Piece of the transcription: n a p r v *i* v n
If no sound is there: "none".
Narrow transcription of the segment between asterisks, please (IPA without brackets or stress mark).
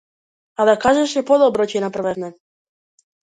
ɛ